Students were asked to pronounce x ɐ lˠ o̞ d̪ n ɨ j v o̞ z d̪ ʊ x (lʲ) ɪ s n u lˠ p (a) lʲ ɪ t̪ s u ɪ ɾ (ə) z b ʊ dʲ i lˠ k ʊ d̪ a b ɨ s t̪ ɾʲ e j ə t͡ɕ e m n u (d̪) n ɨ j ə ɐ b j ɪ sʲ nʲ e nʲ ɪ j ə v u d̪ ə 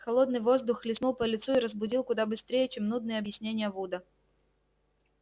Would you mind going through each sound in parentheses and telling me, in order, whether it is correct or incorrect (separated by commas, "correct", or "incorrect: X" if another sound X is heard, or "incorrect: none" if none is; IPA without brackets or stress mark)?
correct, incorrect: ə, correct, correct